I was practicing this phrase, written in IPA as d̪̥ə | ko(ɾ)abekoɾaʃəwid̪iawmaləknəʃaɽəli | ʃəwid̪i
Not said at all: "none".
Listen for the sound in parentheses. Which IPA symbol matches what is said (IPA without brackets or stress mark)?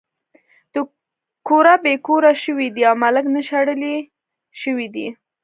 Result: ɾ